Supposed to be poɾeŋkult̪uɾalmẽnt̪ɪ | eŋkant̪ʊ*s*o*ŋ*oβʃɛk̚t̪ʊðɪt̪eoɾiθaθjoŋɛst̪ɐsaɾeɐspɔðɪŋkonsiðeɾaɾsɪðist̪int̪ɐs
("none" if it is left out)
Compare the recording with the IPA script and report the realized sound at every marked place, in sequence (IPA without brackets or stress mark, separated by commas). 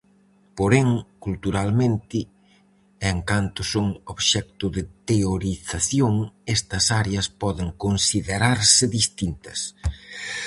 s, ŋ